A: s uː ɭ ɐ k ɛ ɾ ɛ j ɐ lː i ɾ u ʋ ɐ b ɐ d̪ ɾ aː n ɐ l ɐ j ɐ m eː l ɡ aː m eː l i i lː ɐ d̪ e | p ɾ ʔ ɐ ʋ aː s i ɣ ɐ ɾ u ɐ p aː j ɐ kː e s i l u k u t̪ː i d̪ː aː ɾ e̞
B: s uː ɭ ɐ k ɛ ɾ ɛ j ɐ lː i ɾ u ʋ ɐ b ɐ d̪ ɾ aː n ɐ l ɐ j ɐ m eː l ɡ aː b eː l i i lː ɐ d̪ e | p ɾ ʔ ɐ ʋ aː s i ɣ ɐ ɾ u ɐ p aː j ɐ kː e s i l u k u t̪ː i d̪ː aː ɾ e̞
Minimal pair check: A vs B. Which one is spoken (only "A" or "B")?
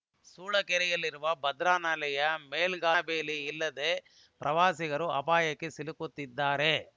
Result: B